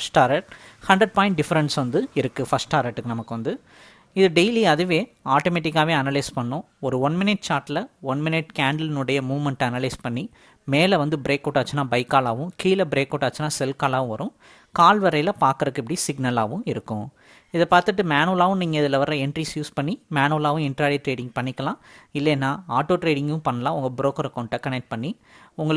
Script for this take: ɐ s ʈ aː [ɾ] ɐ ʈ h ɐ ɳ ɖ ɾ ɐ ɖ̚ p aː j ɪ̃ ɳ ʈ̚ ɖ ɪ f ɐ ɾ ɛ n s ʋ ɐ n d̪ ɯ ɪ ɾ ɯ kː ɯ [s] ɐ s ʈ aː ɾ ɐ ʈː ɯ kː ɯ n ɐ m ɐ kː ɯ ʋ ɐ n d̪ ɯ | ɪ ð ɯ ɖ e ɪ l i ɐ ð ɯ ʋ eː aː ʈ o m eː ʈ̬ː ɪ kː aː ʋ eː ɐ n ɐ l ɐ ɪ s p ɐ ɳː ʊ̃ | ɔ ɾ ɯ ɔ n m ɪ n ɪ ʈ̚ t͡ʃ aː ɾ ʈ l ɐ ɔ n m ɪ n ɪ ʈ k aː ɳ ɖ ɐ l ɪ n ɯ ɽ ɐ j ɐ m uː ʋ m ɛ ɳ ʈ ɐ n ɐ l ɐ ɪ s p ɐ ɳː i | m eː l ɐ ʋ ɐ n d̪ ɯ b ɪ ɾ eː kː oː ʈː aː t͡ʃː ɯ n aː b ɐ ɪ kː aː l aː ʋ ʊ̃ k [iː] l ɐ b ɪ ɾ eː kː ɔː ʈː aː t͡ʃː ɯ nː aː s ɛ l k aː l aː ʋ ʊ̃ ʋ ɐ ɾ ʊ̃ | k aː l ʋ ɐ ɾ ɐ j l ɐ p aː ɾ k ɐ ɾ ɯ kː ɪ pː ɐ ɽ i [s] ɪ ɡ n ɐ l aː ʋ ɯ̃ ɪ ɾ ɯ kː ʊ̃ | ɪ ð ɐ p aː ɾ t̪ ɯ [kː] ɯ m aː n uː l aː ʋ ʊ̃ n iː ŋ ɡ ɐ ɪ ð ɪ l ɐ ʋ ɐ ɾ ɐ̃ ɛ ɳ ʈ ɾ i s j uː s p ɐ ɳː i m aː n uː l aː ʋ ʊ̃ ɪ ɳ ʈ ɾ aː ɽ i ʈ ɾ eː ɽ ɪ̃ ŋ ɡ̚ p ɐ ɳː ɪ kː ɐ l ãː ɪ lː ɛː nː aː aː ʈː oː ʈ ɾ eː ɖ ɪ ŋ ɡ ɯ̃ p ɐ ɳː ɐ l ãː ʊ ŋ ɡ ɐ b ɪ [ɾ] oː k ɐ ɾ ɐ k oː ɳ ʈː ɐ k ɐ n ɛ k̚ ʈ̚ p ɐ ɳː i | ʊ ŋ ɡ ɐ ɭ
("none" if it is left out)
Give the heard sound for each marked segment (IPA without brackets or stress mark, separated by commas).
ɾ, f, iː, s, ʈː, ɾ